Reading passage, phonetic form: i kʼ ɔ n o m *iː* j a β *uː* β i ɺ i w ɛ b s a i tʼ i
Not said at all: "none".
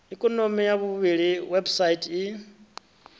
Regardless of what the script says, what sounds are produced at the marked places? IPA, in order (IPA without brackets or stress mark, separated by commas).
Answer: i, u